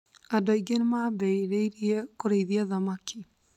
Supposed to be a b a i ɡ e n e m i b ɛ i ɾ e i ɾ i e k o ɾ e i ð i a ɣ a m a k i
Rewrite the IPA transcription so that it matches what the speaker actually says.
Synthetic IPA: a d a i ɡ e n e m a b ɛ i ɾ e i ɾ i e k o ɾ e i ð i a ð a m a k i

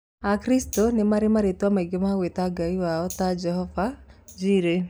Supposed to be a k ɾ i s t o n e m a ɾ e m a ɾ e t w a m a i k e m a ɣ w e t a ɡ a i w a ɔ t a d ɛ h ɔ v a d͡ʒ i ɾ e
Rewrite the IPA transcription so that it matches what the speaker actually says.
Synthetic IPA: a k ɾ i s t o n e m a ɾ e m a ɾ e t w a m a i ɡ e m a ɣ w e t a ɡ a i w a ɔ t a d͡ʒ ɛ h ɔ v a d͡ʒ i ɾ e

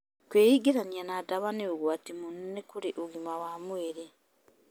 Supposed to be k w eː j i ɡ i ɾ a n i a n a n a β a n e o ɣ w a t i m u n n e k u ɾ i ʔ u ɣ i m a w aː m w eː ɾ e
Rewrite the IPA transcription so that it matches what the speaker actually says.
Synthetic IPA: k w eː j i ɡ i ɾ a n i a n a d a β a n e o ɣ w a t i m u n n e k u ɾ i ʔ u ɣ i m a w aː m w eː ɾ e

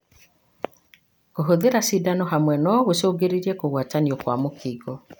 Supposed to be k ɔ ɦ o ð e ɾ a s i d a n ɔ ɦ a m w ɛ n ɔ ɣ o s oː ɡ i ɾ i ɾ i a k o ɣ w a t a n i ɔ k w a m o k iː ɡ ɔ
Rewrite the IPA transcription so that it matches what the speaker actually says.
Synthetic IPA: k o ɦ o ð e ɾ a s i d a n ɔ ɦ a m w ɛ n ɔ ɣ o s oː ɡ e ɾ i ɾ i ɛ k o ɣ w a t a n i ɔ k w a m o k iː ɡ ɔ

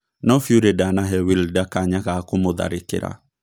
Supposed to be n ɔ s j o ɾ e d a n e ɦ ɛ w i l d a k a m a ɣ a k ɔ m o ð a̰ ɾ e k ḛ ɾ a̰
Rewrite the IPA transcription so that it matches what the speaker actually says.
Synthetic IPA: n ɔ f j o ɾ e d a n a ɦ ɛ w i l d a k a ɲ a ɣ a k o m o ð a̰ ɾ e k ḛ ɾ a̰

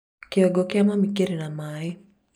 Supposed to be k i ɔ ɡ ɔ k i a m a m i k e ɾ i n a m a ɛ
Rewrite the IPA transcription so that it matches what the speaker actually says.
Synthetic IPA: k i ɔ ɡ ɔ k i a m a m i k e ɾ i n a m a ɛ

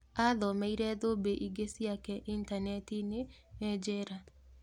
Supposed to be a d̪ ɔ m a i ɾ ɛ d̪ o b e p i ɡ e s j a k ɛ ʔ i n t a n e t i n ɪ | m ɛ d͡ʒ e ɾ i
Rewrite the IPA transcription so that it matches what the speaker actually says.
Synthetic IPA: a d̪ ɔ m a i ɾ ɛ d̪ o b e ʔ i ɡ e s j a k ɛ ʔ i n t a n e t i n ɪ | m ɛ d͡ʒ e ɾ a

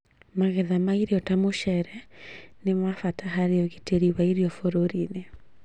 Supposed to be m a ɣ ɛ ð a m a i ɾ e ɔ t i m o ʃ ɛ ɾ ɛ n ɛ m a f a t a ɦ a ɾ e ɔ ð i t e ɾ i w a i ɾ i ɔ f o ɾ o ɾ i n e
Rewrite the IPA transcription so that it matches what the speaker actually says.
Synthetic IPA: m a ɣ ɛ ð a m a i ɾ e ɔ t a m o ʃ ɛ ɾ ɛ n e m a f a t a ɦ a ɾ e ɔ ɣ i t e ɾ i w a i ɾ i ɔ f o ɾ o ɾ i n e

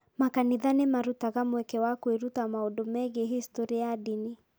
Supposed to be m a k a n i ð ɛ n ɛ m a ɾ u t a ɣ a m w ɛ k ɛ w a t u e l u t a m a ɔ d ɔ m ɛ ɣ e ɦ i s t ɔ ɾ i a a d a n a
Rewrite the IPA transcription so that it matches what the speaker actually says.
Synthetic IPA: m a k a n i ð a n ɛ m a ɾ u t a ɣ a m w ɛ k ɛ w a k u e ɾ u t a m a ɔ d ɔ m ɛ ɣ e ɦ i s t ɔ ɾ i a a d i n i

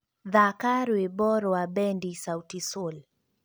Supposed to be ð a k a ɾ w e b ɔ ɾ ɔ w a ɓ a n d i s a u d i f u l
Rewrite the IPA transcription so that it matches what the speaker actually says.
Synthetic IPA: ð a k a ɾ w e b ɔ ɾ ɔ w a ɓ ɛ n d i s a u t i s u l

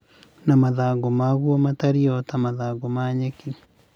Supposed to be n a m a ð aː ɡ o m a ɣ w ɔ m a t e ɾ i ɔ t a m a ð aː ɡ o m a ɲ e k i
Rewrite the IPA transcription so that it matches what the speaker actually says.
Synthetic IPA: n a m a ð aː ɡ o m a ɣ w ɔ m a t a ɾ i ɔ t a m a ð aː ɡ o m a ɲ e k i

